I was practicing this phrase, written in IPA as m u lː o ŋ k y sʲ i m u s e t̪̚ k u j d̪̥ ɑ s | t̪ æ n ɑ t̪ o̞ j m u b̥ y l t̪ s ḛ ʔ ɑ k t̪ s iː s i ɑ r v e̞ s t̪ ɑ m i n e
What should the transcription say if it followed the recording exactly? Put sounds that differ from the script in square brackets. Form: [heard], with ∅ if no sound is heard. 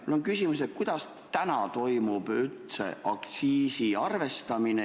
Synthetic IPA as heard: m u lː o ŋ k y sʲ i m u s e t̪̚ k u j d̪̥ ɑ s | t̪ æ n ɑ t̪ o̞ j m u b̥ y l t̪ s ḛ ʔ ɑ k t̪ s iː s i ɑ r v e̞ s t̪ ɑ m i n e